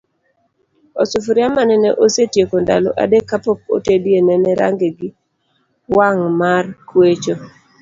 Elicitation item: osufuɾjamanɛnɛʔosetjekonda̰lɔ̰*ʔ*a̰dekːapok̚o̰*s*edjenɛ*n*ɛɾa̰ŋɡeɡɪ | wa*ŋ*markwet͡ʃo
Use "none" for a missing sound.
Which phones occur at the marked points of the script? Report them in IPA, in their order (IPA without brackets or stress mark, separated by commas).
ʔ, t, n, ŋ